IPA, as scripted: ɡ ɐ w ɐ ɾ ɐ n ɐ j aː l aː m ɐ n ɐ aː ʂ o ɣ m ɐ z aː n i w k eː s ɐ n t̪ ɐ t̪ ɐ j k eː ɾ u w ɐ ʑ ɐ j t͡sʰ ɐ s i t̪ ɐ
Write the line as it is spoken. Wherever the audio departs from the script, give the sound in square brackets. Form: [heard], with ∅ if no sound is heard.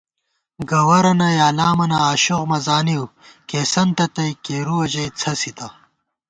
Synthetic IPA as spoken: ɡ ɐ w ɐ ɾ ɐ n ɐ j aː l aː m ɐ n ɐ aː [ɕ] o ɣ m ɐ z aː n i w k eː s ɐ n t̪ ɐ t̪ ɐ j k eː ɾ u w ɐ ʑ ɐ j t͡sʰ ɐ s i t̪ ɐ